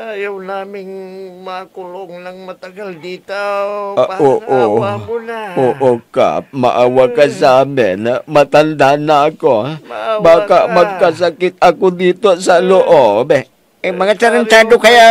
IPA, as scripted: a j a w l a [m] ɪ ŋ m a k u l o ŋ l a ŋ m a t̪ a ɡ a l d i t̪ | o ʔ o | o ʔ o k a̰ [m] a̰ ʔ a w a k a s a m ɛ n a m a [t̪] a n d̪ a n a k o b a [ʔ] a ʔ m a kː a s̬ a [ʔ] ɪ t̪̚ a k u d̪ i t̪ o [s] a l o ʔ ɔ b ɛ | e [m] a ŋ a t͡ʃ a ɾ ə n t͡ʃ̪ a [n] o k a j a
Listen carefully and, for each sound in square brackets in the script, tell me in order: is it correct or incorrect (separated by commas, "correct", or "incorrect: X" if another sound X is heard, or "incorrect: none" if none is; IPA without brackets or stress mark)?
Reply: correct, correct, correct, incorrect: k, incorrect: k, correct, correct, incorrect: d